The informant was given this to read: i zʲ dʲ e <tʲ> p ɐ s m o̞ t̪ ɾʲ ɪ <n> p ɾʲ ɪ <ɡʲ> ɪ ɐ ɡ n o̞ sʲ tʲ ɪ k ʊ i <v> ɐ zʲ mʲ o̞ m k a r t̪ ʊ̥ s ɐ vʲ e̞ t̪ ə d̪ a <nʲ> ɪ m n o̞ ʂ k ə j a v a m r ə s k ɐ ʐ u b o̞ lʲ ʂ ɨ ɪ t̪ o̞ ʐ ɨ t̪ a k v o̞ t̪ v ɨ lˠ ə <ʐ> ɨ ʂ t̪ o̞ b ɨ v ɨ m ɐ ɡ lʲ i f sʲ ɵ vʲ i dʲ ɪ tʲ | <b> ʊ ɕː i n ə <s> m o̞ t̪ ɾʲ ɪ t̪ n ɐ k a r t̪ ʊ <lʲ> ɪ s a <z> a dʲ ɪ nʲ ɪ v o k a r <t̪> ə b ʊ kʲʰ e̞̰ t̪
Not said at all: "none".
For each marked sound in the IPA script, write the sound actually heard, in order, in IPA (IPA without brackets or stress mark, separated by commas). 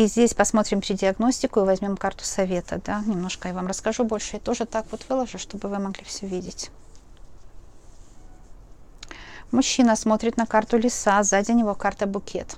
sʲ, m, dʲ, v, nʲ, ʐ, m, s, lʲ, z, t̪